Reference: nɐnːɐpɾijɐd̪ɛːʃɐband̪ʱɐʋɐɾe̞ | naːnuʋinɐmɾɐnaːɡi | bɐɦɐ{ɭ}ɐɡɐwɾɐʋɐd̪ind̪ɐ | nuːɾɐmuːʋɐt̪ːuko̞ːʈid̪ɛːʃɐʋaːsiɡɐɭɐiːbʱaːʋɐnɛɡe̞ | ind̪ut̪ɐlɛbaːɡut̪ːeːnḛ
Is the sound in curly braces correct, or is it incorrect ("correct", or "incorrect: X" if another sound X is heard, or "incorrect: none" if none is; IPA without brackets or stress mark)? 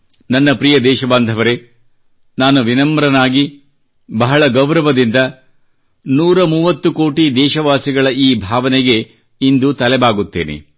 correct